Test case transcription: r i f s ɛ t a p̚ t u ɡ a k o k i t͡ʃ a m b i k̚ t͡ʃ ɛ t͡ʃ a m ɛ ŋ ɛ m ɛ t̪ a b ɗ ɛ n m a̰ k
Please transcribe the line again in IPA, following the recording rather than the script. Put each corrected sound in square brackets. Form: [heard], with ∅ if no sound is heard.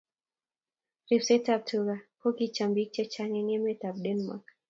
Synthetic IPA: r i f s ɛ t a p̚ t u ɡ a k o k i t͡ʃ a m b i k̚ t͡ʃ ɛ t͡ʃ a [ŋ] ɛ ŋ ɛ m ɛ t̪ a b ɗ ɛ n m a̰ k